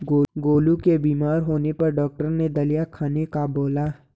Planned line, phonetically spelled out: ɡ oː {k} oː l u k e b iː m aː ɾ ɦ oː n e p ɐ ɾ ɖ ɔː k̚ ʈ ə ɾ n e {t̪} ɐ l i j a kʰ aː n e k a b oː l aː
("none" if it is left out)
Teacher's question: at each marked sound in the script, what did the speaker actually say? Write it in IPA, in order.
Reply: ɡ, d̪

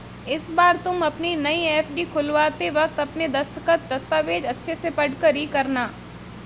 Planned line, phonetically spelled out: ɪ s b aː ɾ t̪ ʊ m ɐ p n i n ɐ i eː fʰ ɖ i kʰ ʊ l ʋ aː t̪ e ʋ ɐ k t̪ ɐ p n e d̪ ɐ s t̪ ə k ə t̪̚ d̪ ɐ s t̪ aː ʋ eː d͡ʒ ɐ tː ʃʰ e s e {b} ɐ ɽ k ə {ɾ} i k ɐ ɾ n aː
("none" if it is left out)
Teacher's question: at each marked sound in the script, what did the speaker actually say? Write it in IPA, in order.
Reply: p, ɾ

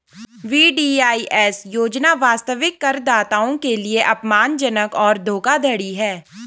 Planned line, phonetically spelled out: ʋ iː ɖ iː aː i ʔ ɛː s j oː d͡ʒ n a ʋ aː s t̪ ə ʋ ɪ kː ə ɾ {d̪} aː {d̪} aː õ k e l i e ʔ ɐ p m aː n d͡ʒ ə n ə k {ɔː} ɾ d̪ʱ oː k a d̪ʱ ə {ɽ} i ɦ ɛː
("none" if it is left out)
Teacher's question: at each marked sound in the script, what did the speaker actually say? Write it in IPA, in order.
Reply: d̪, t̪, ɔː, ɽ

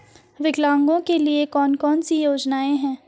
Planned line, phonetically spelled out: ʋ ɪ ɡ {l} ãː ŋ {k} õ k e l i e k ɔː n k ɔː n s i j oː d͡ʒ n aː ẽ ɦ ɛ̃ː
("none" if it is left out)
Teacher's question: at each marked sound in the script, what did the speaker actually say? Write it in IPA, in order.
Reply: l, ɡ

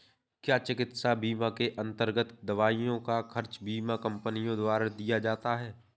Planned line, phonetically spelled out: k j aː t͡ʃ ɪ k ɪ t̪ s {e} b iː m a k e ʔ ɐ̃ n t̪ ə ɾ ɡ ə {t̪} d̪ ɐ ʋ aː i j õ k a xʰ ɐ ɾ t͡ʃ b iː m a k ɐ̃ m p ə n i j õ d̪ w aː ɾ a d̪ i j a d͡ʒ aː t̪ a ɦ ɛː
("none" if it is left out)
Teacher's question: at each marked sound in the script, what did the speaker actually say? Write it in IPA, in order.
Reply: a, t̪

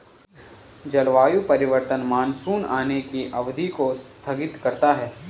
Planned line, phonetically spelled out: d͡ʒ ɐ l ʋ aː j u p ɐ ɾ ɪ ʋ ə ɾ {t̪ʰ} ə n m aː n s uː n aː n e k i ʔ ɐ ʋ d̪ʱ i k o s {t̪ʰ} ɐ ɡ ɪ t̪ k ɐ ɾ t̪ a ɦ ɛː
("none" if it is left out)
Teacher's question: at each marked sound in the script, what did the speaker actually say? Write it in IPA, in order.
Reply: t̪, t̪ʰ

